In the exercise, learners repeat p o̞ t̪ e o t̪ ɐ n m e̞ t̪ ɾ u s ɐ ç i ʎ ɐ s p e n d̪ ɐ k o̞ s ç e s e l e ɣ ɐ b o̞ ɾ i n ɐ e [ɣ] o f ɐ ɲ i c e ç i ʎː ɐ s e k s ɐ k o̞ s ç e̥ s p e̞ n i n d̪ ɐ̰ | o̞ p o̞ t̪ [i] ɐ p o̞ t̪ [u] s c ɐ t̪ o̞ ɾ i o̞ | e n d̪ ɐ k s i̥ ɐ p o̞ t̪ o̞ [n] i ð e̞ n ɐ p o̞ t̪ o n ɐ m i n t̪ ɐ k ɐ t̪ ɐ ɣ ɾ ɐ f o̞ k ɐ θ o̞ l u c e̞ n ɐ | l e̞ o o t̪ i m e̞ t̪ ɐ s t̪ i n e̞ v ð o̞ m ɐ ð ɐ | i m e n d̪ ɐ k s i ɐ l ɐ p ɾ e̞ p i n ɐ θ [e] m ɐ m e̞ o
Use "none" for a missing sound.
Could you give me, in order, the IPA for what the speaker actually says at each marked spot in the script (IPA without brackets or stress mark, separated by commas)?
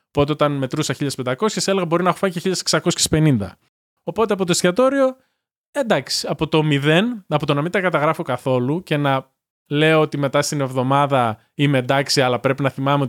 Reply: x, e, o, m, i